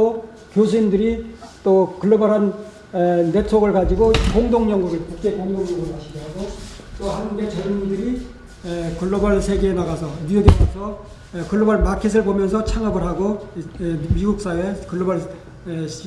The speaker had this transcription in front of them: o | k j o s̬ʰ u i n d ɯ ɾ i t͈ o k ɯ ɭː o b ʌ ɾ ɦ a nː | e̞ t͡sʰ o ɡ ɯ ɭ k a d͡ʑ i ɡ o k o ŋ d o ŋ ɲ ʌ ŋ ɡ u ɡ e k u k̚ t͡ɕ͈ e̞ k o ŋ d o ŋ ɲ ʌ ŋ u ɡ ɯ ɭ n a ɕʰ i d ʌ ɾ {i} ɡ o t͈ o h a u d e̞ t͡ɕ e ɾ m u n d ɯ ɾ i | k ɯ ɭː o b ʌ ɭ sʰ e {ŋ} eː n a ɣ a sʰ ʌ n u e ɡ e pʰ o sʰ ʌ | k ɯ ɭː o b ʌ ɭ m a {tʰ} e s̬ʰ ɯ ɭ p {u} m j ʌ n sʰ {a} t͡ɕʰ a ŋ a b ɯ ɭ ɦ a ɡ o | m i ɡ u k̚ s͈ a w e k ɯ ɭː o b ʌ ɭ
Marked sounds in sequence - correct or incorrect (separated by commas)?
incorrect, incorrect, incorrect, incorrect, incorrect